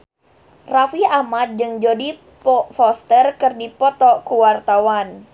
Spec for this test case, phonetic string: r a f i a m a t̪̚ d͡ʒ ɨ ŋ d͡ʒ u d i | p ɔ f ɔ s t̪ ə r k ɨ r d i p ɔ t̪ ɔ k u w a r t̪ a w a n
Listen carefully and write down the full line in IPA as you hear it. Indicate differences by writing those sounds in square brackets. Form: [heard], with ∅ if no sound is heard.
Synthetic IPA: r a f i a m a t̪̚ d͡ʒ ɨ ŋ d͡ʒ [o] d i | p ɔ f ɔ s t̪ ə r k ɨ r d i p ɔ t̪ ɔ k u w a r t̪ a w a n